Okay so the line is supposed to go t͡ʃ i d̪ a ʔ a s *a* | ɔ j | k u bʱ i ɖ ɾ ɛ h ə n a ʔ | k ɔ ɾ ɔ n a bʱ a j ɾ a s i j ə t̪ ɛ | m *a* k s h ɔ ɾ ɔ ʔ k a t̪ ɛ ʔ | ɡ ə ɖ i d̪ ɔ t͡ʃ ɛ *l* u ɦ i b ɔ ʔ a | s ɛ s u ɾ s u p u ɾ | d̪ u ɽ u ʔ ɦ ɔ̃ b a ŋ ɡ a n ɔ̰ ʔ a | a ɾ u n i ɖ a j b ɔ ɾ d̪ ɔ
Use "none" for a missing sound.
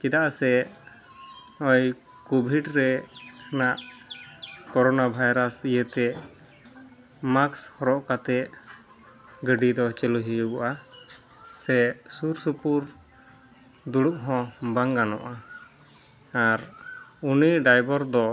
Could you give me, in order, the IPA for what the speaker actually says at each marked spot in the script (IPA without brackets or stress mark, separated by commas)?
ɛ, a, l